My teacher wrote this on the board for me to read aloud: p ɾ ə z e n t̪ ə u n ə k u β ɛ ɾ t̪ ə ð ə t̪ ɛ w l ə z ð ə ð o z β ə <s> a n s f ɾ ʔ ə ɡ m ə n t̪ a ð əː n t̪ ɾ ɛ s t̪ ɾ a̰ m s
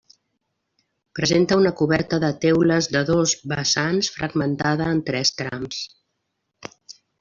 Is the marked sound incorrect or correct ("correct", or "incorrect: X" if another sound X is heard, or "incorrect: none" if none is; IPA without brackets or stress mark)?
correct